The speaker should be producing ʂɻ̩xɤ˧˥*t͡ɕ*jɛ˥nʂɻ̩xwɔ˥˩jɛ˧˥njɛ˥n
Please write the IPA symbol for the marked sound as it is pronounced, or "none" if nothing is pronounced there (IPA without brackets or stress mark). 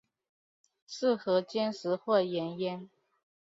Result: t͡ɕ